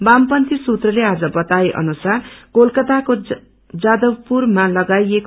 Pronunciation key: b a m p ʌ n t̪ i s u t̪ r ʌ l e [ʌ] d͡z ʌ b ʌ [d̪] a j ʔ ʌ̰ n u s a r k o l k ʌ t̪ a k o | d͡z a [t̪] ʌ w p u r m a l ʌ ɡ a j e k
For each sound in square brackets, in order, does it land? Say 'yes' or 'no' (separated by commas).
no, no, no